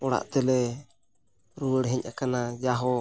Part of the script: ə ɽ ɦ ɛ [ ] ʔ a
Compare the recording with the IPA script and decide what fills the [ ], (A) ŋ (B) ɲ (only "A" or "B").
B